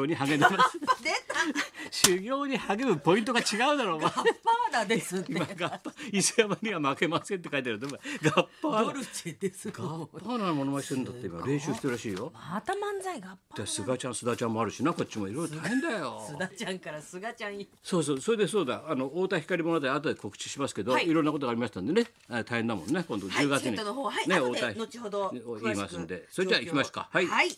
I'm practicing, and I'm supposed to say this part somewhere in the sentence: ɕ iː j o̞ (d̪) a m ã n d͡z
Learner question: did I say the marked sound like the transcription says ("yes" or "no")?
no